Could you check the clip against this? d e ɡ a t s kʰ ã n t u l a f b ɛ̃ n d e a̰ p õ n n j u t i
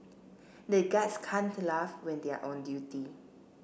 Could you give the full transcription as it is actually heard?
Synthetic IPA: d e ɡ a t s kʰ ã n t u l a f w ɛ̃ n d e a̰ ʔ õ n d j u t i